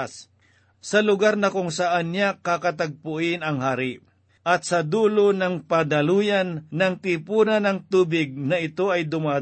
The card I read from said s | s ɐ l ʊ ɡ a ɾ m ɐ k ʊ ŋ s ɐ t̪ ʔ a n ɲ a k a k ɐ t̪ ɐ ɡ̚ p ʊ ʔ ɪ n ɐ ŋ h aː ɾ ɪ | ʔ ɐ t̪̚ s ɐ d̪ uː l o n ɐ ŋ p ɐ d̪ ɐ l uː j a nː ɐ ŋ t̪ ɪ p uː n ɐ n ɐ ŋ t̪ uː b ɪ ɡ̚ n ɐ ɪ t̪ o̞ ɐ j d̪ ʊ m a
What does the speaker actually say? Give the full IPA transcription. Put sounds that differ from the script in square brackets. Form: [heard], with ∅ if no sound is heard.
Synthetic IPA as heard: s | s ɐ l ʊ ɡ a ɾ [n] ɐ k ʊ ŋ s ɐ [∅] ʔ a n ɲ a k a k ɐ t̪ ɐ ɡ̚ p ʊ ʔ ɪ n ɐ ŋ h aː ɾ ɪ | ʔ ɐ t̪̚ s ɐ d̪ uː l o n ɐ ŋ p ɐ d̪ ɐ l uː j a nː ɐ ŋ t̪ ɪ p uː n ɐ n ɐ ŋ t̪ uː b ɪ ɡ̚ n ɐ ɪ t̪ o̞ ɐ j d̪ ʊ m a